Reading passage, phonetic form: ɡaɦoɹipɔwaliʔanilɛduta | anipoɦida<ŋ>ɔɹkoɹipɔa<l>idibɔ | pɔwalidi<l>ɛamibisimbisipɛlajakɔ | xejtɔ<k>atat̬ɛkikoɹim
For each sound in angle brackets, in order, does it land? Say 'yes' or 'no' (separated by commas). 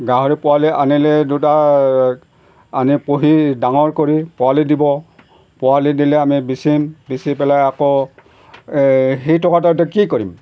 yes, yes, yes, yes